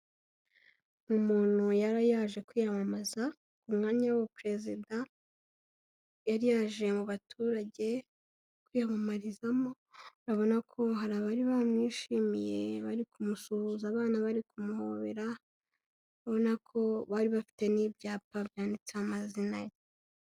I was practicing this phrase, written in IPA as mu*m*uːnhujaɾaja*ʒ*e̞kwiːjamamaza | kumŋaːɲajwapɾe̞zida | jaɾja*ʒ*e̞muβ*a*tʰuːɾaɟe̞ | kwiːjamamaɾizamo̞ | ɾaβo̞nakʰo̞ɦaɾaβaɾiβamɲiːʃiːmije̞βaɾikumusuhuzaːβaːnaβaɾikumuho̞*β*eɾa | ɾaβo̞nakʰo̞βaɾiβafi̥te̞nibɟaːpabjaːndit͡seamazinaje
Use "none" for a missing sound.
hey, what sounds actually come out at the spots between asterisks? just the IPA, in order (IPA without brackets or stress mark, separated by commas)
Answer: m, ʒ, ʒ, a, β